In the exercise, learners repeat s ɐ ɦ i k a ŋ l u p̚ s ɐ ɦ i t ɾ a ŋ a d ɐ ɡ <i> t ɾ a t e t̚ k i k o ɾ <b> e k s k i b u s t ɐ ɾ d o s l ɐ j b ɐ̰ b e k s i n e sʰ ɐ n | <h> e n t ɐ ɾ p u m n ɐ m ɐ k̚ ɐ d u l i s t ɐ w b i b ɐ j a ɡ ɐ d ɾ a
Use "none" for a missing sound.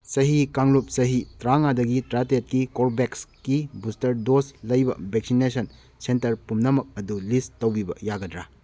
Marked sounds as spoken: i, b, s

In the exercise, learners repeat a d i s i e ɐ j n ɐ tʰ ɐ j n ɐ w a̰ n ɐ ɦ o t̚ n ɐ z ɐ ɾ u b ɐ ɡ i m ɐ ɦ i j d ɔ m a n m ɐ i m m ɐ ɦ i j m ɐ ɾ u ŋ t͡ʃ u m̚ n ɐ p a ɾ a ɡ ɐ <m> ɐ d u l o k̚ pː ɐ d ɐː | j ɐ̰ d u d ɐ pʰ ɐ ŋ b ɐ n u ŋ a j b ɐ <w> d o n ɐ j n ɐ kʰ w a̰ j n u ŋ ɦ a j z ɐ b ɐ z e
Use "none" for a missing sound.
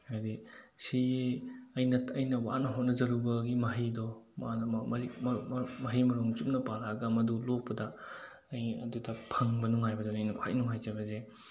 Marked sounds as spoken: m, none

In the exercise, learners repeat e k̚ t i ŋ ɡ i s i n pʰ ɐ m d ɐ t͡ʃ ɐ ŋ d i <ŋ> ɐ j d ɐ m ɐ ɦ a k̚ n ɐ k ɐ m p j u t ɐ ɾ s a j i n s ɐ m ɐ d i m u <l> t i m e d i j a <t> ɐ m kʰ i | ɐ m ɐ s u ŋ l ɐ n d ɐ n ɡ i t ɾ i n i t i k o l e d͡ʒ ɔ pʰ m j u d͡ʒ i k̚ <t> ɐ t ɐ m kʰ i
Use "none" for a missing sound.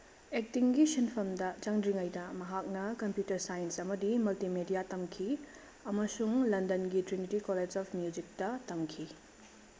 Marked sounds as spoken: ŋ, l, t, t

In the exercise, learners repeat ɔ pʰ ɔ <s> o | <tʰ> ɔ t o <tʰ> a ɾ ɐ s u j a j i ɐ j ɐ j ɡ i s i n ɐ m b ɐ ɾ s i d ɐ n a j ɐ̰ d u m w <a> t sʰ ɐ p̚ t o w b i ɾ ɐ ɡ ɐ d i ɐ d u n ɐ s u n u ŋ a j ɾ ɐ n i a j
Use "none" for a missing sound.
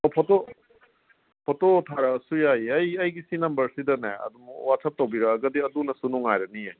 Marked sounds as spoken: t, pʰ, tʰ, a

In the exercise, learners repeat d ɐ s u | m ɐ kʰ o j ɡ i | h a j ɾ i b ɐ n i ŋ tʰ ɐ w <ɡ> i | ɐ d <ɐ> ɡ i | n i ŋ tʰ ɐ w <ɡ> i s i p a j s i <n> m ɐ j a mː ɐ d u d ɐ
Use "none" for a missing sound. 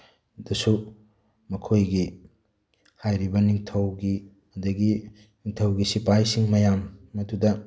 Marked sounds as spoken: ɡ, ɐ, ɡ, ŋ

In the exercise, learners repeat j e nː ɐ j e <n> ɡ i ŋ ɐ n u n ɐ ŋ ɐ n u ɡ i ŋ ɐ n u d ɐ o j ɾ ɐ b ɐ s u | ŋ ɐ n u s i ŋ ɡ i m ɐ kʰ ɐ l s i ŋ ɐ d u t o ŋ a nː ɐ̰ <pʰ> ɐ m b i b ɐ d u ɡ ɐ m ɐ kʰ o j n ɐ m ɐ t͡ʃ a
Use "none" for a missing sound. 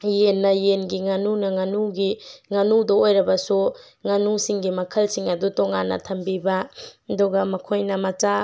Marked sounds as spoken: n, tʰ

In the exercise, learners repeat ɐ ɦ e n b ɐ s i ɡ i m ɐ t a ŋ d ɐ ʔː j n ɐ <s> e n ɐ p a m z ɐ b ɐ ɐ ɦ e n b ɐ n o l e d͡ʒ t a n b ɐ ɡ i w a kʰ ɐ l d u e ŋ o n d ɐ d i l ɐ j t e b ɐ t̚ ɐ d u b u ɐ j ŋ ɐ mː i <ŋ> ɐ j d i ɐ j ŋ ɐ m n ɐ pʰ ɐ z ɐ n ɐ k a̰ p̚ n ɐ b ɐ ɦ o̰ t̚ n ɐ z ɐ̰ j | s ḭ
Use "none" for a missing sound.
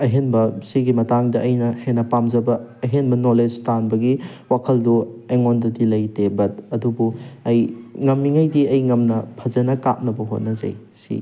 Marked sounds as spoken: h, ŋ

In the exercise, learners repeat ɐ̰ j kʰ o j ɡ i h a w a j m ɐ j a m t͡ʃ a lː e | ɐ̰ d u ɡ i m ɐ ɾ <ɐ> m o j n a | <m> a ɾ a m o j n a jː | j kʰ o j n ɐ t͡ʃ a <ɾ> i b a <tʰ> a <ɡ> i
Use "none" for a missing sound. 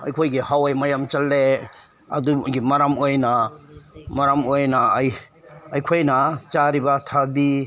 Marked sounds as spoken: a, m, ɾ, tʰ, b

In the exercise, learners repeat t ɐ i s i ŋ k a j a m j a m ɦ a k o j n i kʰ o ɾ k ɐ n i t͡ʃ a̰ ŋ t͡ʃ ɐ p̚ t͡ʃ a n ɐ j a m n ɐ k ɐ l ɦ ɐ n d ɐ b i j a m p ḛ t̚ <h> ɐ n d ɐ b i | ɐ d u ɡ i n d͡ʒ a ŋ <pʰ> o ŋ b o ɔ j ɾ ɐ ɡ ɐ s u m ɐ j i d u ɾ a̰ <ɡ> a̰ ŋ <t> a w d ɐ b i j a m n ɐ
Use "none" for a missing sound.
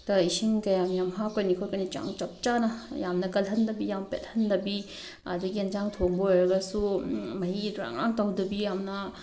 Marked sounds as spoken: h, tʰ, ŋ, t

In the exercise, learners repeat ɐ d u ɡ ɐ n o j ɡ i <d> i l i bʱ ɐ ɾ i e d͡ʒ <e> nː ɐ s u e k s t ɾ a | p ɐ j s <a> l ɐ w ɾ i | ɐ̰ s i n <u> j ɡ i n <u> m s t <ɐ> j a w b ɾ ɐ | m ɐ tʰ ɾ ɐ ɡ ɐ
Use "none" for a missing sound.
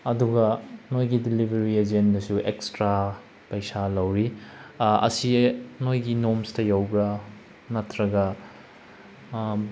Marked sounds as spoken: d, e, a, o, o, ɐ

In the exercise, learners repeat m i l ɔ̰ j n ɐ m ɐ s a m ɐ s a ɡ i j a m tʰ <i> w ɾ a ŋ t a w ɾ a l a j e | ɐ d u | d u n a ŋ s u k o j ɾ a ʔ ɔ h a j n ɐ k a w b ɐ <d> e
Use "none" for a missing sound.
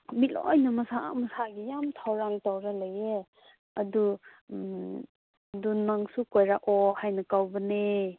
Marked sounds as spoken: a, n

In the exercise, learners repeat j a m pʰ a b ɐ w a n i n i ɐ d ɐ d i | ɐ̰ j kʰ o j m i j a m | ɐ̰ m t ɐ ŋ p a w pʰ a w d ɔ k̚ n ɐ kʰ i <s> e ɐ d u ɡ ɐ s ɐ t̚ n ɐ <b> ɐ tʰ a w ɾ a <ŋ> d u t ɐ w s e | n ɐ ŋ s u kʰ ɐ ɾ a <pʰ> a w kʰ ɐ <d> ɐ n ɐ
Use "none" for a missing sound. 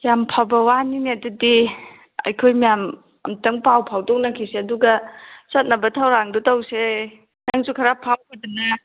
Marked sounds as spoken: s, b, ŋ, pʰ, d

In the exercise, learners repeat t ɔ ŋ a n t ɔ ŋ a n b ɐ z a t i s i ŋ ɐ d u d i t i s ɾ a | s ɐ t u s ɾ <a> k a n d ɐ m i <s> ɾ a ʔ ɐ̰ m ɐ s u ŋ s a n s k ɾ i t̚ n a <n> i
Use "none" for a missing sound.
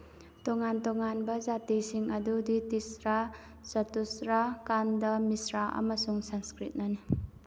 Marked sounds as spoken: a, s, n

